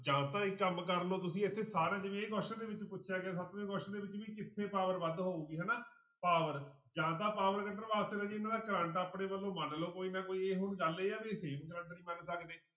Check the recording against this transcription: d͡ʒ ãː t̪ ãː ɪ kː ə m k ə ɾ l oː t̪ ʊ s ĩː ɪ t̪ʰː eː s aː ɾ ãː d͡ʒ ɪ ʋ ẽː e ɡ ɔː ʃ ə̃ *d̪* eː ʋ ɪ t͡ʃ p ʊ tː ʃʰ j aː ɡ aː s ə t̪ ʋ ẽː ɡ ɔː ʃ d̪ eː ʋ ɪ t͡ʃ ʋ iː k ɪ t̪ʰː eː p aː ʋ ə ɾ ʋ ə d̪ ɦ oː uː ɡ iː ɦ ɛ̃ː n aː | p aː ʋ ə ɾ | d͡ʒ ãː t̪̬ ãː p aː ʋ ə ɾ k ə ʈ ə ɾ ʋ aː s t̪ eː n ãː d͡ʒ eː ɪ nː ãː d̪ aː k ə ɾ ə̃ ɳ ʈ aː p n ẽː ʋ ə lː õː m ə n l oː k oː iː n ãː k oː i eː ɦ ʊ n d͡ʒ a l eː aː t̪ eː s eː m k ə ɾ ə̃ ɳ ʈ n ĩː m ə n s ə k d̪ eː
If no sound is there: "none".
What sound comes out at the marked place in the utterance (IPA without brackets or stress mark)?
d̪